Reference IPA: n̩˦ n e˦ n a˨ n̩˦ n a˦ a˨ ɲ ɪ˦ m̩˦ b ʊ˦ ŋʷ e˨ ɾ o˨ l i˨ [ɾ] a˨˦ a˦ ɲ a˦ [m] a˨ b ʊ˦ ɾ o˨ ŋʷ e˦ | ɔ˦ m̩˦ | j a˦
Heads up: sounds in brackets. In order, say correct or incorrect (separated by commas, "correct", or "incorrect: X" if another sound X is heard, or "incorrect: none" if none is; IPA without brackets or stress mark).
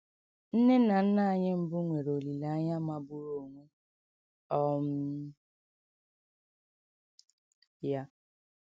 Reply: incorrect: l, correct